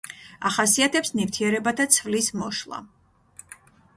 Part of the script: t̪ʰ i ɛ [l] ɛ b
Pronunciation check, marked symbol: incorrect: ɾ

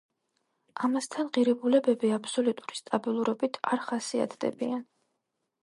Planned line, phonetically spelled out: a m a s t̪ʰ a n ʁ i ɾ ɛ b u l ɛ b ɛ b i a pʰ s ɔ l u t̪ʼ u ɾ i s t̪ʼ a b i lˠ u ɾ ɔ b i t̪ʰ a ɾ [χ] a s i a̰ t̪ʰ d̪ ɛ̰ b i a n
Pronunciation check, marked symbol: correct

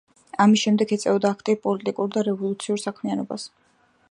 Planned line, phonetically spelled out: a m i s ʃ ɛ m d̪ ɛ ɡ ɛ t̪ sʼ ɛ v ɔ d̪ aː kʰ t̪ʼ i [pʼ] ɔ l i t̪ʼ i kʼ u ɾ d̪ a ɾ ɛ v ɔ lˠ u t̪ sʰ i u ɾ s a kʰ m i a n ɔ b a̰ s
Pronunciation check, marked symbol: correct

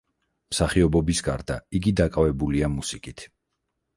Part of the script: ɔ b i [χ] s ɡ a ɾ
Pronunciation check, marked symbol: incorrect: none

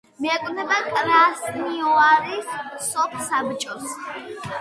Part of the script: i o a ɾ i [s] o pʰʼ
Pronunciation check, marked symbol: correct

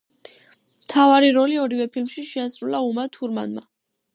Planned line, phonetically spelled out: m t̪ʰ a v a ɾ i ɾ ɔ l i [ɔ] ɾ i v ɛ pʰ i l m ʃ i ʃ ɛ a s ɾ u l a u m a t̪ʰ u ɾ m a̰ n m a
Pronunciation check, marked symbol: correct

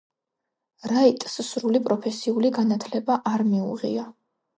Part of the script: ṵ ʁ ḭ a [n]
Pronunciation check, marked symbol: incorrect: none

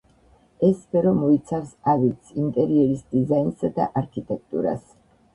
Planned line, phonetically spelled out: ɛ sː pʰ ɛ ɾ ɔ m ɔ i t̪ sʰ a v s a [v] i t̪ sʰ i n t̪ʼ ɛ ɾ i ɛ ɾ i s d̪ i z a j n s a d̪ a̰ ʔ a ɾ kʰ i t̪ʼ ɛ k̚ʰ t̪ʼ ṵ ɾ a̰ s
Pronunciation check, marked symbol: correct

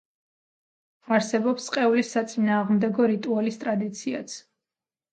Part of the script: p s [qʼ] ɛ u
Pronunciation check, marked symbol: correct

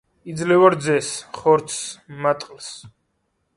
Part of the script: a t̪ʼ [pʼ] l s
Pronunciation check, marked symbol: incorrect: qʼ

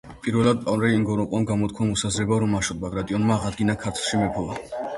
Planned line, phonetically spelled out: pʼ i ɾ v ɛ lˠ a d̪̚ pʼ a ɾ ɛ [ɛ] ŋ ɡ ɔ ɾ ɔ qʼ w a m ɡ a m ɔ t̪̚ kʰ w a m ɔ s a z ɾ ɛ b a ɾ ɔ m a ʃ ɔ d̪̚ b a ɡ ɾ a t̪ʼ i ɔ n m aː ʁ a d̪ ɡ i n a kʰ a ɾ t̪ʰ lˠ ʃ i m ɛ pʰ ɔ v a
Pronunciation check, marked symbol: incorrect: i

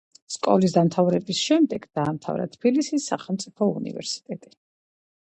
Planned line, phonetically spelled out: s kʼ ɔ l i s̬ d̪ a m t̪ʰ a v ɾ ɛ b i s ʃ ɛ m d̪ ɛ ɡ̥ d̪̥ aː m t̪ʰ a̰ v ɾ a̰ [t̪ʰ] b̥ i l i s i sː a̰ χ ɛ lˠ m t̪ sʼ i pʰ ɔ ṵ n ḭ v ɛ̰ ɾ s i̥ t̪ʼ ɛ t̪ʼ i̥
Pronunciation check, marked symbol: correct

